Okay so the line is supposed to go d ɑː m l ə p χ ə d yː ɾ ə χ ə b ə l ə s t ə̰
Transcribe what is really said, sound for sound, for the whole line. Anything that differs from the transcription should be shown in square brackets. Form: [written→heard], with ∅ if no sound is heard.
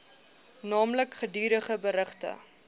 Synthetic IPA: [d→n] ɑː m l ə [p→k] χ ə d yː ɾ ə χ ə b ə [l→ɾ] ə [s→χ] t ə̰